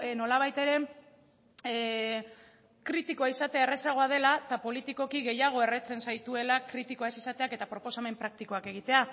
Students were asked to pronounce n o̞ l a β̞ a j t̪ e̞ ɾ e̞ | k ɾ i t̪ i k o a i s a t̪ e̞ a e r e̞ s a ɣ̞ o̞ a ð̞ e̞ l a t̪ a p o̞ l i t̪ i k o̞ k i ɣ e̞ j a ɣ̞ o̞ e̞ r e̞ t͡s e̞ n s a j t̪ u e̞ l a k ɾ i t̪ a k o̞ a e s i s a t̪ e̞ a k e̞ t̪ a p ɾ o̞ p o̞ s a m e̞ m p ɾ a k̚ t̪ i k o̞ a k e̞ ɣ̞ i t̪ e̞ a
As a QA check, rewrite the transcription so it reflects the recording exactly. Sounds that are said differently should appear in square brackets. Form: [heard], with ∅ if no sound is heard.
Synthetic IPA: n o̞ l a β̞ a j t̪ e̞ ɾ e̞ | k ɾ i t̪ i k o a i s a t̪ e̞ a e r e̞ s a ɣ̞ o̞ a ð̞ e̞ l a t̪ a p o̞ l i t̪ i k o̞ k i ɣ e̞ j a ɣ̞ o̞ e̞ r e̞ t͡s e̞ n s a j t̪ u e̞ l a k ɾ i t̪ [i] k o̞ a e s i s a t̪ e̞ a k e̞ t̪ a p ɾ o̞ p o̞ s a m e̞ m p ɾ a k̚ t̪ i k o̞ a k e̞ ɣ̞ i t̪ e̞ a